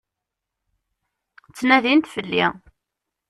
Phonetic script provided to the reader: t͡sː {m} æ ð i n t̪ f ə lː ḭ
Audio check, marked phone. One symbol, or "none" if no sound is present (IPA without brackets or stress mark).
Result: n